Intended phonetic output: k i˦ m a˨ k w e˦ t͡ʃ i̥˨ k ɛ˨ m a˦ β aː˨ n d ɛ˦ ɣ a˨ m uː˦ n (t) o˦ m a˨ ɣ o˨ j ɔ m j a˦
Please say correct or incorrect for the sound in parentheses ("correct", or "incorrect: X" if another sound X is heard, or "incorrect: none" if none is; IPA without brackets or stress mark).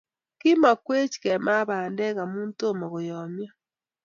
correct